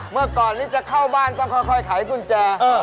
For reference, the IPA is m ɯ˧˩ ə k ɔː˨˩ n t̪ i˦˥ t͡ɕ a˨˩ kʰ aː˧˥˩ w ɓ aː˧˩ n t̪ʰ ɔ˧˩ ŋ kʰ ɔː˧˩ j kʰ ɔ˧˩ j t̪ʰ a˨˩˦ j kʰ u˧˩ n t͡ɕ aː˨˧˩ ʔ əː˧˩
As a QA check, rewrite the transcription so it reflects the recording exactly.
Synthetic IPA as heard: m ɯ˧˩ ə k ɔː˨˩ n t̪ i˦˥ t͡ɕ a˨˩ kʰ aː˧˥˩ w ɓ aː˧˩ n t̪ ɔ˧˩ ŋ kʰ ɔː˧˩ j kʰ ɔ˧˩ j t̪ʰ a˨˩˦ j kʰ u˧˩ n t͡ɕ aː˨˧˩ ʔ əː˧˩

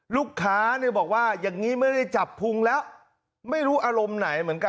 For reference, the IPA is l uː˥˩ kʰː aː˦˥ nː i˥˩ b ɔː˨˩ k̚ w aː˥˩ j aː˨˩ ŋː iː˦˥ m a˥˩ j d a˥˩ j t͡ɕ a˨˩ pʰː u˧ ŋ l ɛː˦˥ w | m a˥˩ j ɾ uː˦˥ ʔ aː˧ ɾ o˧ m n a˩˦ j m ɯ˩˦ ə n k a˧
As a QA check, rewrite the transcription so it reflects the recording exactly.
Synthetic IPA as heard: l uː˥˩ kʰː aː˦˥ n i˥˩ b ɔː˨˩ k̚ w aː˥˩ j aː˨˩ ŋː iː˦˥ m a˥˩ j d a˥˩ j t͡ɕ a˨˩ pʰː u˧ ŋ l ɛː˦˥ w | m a˥˩ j ɾ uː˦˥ ʔ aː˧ ɾ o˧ m n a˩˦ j m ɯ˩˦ ə n k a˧

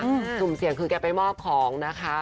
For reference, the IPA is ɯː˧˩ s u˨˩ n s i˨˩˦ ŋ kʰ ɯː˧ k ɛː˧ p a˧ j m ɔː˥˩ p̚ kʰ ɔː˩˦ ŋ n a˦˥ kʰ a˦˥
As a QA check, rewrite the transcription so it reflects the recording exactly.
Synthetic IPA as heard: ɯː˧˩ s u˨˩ m s i˨˩˦ ŋ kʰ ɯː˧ k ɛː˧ p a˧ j m ɔː˥˩ p̚ kʰ ɔː˩˦ ŋ n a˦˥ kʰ a˦˥

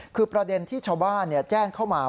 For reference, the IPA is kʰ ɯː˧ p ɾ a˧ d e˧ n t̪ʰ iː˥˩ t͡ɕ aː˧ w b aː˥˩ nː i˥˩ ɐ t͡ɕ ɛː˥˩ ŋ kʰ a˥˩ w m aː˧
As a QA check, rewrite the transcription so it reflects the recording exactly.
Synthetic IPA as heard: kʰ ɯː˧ p ɾ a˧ d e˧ n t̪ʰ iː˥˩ t͡ɕʰ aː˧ w b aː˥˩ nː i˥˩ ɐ t͡ɕ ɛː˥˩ ŋ kʰ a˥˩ w m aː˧

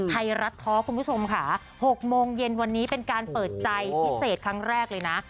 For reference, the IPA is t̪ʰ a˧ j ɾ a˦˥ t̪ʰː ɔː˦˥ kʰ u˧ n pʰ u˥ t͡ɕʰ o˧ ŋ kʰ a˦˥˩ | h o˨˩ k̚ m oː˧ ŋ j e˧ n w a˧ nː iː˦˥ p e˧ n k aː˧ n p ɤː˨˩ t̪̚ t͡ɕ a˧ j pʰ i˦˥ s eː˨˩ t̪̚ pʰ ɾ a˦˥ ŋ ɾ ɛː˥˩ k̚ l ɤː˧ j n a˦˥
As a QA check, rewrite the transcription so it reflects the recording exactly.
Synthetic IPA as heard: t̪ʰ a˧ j ɾ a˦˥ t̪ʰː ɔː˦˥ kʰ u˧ n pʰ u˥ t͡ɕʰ o˧ m kʰ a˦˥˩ | h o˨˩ k̚ m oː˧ ŋ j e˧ n w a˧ nː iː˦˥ p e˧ n k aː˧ n p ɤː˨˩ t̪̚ t͡ɕ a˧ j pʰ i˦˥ s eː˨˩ t̪̚ kʰ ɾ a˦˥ ŋ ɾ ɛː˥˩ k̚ l ɤː˧ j n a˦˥

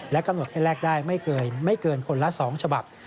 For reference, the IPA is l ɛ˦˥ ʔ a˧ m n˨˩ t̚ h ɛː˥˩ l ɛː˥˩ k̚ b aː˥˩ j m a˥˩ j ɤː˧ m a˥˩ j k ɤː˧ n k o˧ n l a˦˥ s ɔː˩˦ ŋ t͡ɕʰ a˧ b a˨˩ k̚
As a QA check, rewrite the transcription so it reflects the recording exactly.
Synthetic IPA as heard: l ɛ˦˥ k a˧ m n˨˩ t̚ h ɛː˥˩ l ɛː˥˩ k̚ d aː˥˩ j m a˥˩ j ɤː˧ m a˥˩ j k ɤː˧ n kʰ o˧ n l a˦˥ s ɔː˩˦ ŋ t͡ɕʰ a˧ b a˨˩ p̚

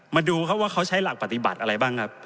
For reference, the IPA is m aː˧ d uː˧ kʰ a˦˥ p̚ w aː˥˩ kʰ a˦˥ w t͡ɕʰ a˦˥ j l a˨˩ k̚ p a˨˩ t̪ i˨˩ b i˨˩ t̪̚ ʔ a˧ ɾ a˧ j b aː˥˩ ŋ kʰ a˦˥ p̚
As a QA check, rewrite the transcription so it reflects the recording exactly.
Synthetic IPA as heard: m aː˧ d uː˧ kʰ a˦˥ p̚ w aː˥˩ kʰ a˦˥ w t͡ɕʰ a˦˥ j l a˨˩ k̚ p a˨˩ t̪ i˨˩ b a˨˩ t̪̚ ʔ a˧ ɾ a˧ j b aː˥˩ ŋ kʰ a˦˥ p̚

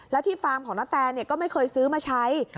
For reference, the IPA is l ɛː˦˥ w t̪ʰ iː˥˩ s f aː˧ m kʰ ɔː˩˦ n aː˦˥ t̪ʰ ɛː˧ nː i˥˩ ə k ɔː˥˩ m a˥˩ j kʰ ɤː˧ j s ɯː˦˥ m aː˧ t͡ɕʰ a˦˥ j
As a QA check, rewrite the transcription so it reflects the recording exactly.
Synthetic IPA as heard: l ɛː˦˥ w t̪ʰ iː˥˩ f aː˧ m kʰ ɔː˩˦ n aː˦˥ t̪ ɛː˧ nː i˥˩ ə k ɔː˥˩ m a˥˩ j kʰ ɤː˧ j s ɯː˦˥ m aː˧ t͡ɕʰ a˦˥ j

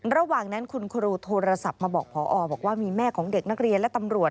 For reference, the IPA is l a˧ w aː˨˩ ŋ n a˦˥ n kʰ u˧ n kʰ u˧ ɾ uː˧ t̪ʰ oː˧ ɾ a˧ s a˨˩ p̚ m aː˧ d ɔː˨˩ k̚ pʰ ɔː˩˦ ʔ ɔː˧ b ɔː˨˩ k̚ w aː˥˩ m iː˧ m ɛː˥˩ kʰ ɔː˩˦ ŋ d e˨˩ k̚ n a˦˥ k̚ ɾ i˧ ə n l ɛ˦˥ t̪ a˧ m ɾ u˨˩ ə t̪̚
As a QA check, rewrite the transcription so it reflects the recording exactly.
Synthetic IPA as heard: ɾ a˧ w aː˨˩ ŋ n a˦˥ n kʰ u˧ n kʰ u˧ ɾ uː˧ t̪ʰ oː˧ ɾ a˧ s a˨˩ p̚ m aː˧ b ɔː˨˩ k̚ pʰ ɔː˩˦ ʔ ɔː˧ b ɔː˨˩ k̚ w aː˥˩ m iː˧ m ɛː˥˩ kʰ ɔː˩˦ ŋ d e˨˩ k̚ n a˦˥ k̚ ɾ i˧ ə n l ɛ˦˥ t̪ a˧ m ɾ u˨˩ ə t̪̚

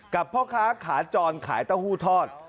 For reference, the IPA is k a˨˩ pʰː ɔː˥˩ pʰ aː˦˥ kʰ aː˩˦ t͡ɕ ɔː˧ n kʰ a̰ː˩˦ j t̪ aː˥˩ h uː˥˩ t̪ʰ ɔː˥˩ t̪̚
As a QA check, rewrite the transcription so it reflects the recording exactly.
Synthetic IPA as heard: k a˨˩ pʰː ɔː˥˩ kʰ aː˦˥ kʰ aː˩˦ t͡ɕ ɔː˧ n kʰ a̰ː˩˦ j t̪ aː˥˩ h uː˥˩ t̪ʰ ɔː˥˩ t̪̚

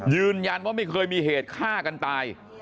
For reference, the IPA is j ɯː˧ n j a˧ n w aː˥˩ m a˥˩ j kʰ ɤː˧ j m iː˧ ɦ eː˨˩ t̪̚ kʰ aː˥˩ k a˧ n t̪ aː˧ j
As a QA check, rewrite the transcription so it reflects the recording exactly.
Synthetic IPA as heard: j ɯː˧ n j a˧ n w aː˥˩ m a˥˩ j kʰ ɤː˧ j m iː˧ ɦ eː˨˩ t̪̚ kʰ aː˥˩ k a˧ n t̪ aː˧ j

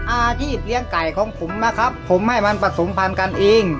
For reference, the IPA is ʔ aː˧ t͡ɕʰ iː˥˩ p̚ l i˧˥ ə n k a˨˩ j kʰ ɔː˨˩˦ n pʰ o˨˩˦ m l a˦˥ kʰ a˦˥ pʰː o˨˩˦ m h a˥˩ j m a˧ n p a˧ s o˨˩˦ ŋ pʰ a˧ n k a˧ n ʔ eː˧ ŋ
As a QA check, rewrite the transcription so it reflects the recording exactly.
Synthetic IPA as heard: ʔ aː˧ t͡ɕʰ iː˥˩ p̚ l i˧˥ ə ŋ k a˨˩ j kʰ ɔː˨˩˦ ŋ pʰ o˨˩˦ m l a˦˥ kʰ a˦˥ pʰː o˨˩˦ m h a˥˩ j m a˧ n p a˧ s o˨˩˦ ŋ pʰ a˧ n k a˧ n ʔ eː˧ ŋ

